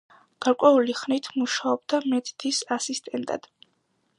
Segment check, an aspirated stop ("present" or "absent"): present